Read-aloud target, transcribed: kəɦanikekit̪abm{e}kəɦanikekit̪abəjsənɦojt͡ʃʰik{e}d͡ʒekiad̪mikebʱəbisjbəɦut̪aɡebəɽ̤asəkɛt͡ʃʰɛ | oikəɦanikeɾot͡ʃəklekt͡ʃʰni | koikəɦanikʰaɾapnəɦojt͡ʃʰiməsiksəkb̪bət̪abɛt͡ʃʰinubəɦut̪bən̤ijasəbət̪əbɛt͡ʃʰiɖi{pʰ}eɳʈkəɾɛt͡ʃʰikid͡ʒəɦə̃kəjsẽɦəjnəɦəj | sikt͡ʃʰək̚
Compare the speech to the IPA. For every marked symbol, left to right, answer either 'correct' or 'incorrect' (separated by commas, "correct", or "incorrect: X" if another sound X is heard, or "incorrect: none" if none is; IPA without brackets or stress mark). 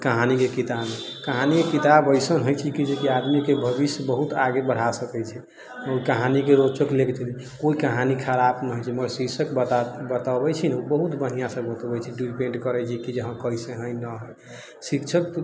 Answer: correct, incorrect: i, incorrect: p